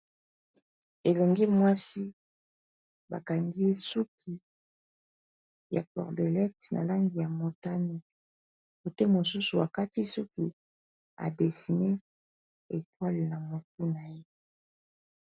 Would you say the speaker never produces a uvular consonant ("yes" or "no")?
no